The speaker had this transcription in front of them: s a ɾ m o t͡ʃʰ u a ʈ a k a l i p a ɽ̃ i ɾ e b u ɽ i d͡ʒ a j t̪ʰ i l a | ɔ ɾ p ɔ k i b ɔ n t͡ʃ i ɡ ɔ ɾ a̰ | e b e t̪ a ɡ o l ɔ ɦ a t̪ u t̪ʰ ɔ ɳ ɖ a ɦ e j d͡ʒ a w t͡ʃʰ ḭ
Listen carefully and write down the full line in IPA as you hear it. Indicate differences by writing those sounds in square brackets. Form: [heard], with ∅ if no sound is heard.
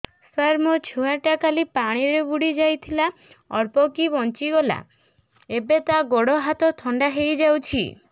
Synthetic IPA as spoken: s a ɾ m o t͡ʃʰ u a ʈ a k a l i p a ɽ̃ i ɾ e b u ɽ i d͡ʒ a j t̪ʰ i l a | ɔ ɾ p ɔ k i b ɔ n t͡ʃ i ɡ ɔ [l] a̰ | e b e t̪ a ɡ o [ɽ] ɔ ɦ a t̪ [ɔ] t̪ʰ ɔ ɳ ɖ a ɦ e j d͡ʒ a w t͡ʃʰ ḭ